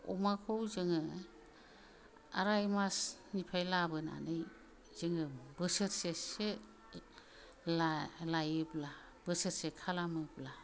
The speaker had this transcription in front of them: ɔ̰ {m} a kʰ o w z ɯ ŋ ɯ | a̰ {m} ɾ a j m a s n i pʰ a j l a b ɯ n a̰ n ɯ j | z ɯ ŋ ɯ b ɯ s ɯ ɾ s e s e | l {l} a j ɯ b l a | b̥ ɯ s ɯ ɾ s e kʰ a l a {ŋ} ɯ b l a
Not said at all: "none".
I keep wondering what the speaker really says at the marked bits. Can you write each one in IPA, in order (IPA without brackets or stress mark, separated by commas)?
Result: m, none, l, m